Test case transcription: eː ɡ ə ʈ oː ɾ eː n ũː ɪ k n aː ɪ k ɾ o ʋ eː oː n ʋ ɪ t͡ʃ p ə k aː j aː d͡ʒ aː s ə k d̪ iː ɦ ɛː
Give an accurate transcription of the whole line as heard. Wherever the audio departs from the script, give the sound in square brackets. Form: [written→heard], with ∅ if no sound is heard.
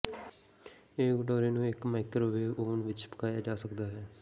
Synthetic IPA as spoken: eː ɡ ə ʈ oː ɾ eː n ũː ɪ k [n→m] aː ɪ k ɾ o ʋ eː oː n ʋ ɪ t͡ʃ p ə k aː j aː d͡ʒ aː s ə k d̪ [iː→aː] ɦ ɛː